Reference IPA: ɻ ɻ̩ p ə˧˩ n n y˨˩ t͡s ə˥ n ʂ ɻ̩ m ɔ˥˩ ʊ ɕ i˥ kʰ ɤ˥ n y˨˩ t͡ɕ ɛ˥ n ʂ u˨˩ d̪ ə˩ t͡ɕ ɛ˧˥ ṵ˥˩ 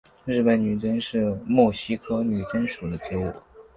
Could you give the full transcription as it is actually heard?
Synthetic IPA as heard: ɻ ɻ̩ p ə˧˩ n n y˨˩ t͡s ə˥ n ʂ ɻ̩ m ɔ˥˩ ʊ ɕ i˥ kʰ ɤ˥ n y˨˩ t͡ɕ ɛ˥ n ʂ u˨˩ d̪ ə˦ t͡ɕ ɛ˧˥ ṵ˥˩